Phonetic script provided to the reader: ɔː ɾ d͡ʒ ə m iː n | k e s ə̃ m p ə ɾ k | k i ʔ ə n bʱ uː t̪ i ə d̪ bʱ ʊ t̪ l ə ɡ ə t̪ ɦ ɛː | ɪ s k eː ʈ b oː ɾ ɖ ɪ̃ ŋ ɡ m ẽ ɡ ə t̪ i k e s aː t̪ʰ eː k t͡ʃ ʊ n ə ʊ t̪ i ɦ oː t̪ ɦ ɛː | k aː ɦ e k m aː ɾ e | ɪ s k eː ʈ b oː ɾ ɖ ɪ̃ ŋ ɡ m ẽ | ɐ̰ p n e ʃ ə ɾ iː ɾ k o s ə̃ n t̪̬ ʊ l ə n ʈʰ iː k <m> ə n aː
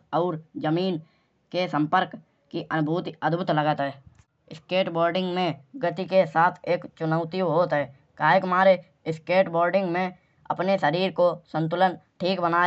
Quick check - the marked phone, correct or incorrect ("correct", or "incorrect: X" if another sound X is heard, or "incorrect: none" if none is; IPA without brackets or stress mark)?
incorrect: b